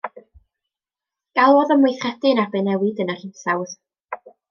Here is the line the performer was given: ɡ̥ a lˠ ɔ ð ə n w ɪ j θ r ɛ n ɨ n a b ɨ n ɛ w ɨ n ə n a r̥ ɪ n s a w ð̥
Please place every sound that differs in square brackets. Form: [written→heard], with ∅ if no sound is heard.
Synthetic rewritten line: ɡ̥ a lˠ ɔ ð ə [n→m] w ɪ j θ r ɛ [n→d] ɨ n a b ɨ n ɛ w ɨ [n→d] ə n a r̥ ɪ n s a w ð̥